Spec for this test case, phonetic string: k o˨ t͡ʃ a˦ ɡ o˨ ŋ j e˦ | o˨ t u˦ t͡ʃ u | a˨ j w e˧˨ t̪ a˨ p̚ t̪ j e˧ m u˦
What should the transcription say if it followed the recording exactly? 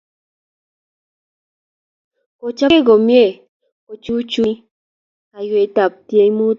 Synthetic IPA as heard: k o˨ t͡ʃ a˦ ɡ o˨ m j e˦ | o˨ t͡ʃ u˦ t͡ʃ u | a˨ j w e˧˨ t̪ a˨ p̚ t̪ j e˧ m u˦